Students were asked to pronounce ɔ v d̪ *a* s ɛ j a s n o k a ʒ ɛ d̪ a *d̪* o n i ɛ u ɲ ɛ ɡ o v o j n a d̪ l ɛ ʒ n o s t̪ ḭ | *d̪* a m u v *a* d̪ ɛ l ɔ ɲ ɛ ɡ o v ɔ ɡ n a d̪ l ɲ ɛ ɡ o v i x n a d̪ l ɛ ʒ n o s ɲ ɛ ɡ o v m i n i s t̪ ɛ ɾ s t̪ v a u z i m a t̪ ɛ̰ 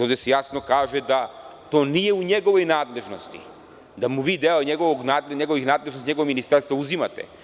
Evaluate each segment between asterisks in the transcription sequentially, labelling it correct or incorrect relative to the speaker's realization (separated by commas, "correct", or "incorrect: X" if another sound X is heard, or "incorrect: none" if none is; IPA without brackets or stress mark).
incorrect: ɛ, incorrect: t̪, correct, incorrect: i